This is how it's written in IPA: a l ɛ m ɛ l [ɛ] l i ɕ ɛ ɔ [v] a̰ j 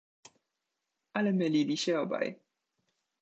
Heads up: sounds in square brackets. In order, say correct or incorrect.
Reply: incorrect, incorrect

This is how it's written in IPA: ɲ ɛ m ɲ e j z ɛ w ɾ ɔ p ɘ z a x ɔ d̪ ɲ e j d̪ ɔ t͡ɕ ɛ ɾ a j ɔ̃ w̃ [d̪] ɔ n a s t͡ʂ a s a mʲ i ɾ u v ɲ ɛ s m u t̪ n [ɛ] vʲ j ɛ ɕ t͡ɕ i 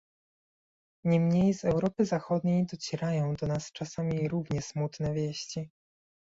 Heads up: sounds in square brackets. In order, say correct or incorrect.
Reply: correct, correct

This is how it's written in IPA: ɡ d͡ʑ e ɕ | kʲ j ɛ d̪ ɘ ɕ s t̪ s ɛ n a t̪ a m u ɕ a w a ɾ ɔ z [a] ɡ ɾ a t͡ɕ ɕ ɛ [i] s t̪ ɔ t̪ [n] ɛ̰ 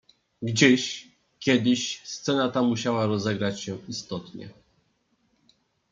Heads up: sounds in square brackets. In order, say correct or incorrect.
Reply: incorrect, correct, incorrect

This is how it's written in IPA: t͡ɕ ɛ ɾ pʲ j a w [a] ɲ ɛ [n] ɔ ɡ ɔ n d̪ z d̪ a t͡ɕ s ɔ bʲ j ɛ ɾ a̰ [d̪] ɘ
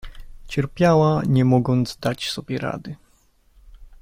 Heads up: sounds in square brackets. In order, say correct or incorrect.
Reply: correct, incorrect, correct

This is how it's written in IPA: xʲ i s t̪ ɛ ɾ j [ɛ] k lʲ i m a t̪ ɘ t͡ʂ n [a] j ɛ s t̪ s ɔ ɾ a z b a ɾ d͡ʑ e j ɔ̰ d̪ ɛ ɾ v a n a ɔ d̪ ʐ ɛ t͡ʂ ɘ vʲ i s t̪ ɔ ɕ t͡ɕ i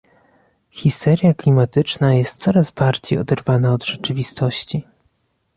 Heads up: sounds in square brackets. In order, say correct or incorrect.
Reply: incorrect, correct

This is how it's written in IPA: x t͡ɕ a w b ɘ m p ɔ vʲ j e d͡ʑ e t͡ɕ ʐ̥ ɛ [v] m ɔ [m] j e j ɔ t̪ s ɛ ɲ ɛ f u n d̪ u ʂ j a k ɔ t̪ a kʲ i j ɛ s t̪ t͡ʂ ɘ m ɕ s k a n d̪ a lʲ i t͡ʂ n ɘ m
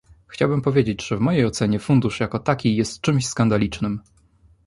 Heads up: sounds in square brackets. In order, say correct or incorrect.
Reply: correct, incorrect

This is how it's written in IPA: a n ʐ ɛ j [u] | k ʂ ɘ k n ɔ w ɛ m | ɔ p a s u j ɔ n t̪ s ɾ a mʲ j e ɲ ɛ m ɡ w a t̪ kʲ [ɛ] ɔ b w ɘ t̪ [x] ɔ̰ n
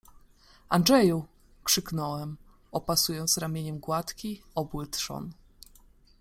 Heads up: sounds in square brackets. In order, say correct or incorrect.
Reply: correct, incorrect, incorrect

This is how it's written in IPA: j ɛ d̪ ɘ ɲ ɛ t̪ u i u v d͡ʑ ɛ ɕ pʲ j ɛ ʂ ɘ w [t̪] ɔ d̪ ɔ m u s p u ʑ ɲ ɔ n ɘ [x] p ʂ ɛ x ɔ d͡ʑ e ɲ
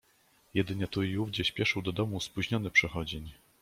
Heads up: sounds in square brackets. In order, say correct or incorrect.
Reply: incorrect, incorrect

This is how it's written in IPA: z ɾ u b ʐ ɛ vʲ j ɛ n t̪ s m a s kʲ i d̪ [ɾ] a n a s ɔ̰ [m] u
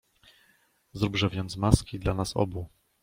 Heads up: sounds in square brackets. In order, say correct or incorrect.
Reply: incorrect, incorrect

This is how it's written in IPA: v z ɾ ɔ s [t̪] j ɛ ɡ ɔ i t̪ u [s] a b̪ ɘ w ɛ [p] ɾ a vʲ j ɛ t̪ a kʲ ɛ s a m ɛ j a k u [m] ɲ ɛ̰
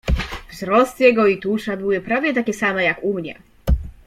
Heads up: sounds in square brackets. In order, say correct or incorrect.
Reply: correct, incorrect, correct, correct

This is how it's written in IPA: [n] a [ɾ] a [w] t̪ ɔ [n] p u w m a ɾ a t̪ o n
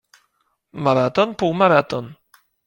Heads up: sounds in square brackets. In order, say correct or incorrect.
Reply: incorrect, correct, incorrect, correct

